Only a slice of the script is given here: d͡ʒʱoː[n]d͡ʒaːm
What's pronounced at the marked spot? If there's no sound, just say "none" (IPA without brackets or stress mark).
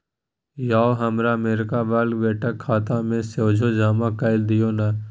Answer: none